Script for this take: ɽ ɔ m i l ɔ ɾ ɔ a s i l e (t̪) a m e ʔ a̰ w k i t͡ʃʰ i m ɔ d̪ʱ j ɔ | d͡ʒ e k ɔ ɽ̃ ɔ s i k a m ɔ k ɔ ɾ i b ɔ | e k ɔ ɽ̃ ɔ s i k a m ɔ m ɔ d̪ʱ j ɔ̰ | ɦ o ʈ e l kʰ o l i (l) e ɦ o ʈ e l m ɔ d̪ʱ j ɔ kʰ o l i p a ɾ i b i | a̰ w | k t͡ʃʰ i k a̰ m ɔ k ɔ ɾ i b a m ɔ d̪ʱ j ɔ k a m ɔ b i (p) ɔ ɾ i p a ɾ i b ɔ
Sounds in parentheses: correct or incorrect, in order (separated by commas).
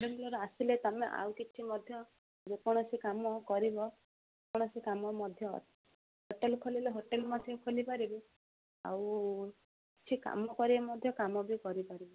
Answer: correct, correct, incorrect